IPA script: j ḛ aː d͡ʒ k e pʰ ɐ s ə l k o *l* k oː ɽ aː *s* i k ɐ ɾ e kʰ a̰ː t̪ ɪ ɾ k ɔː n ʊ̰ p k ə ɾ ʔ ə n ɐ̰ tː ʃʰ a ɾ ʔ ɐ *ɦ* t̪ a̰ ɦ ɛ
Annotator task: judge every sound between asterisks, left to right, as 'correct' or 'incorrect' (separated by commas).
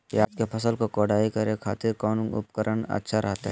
incorrect, incorrect, correct